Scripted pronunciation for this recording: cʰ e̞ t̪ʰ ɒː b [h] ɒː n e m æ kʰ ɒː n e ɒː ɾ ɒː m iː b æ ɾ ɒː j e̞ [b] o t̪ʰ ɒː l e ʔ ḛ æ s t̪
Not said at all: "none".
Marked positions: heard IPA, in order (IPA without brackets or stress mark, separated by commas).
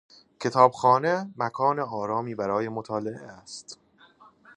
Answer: x, m